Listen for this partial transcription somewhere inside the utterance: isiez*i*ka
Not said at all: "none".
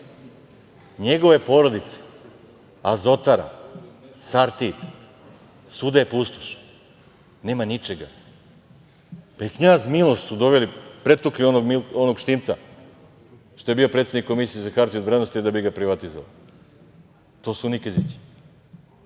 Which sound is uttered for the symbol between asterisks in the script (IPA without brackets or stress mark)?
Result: a